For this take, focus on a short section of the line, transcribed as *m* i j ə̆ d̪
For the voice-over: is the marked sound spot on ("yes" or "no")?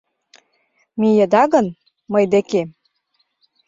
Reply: yes